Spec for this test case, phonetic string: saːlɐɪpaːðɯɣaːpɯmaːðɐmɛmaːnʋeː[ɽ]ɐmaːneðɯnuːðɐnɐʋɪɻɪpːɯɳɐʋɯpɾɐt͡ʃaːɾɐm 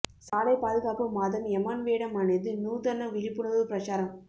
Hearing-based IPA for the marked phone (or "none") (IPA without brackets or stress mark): ɽ